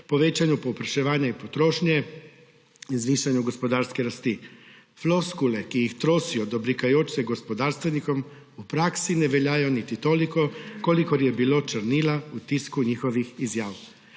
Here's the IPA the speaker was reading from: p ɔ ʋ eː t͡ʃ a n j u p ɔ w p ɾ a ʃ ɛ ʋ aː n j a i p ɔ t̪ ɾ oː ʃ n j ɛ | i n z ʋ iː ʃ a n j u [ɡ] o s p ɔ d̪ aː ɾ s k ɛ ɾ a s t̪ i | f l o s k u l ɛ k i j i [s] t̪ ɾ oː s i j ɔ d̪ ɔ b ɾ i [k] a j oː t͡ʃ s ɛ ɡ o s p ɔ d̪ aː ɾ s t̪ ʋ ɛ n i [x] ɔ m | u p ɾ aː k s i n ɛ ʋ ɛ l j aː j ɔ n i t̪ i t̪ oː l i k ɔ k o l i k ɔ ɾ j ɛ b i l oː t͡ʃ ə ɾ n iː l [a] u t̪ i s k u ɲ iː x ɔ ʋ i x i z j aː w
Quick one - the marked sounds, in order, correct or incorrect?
correct, incorrect, correct, incorrect, correct

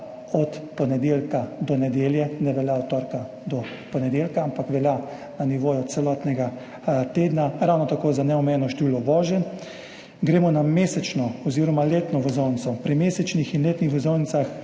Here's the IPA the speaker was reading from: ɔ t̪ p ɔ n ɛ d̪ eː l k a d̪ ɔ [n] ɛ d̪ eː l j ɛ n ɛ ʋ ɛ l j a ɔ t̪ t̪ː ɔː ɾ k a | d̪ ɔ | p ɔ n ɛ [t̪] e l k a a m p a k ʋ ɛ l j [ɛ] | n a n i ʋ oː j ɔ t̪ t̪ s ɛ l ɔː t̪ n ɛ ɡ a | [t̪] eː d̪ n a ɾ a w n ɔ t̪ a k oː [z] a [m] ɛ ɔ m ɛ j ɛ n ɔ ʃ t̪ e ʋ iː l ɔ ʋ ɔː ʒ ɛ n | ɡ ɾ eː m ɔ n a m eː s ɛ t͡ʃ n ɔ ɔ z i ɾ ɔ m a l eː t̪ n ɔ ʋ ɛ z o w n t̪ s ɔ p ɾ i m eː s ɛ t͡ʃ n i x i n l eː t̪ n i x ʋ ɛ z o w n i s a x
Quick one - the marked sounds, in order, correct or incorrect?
correct, incorrect, incorrect, correct, correct, incorrect

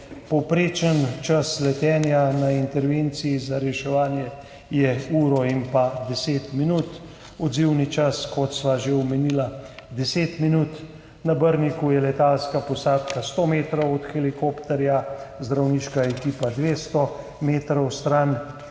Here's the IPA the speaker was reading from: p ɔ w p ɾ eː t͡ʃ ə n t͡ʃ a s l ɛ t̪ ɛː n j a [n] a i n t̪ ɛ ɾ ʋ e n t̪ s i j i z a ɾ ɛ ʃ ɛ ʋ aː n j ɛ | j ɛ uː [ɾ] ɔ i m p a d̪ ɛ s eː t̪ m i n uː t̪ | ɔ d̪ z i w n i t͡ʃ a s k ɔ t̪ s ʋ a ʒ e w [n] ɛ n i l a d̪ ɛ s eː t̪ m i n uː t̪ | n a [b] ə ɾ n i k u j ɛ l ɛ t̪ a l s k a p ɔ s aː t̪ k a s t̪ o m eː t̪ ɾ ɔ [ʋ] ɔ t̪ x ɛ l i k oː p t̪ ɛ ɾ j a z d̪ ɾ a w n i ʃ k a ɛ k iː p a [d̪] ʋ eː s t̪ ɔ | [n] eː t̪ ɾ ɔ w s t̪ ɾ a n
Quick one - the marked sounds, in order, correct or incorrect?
correct, correct, incorrect, correct, incorrect, correct, incorrect

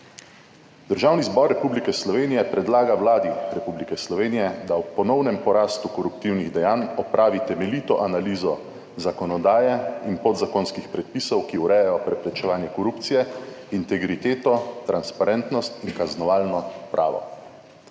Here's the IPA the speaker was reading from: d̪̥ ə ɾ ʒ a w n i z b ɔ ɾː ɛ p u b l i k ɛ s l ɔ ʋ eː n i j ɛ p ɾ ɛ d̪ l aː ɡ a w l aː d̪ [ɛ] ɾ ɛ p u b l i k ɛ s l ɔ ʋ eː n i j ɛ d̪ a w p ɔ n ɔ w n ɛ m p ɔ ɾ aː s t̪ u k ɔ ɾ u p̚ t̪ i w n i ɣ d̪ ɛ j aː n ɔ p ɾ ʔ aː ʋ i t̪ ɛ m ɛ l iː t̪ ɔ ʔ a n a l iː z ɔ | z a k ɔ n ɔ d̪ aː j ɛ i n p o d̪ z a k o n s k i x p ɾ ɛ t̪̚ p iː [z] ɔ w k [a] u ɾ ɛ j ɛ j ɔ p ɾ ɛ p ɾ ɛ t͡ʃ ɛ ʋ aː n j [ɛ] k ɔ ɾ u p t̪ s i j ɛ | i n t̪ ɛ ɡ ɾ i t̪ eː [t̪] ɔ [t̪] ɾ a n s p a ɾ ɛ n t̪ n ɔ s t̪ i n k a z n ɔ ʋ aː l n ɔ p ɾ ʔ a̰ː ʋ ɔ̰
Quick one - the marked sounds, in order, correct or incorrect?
incorrect, incorrect, incorrect, correct, correct, correct

